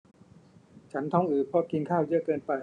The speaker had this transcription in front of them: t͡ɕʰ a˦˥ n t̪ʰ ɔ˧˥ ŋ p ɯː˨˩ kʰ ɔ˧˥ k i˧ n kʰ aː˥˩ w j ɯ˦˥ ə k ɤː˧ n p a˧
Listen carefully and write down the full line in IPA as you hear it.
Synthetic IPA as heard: t͡ɕʰ a˦˥ n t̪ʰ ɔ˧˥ ŋ ʔ ɯː˨˩ pʰ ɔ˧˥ k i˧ n kʰ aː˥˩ w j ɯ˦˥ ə k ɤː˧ n p a˧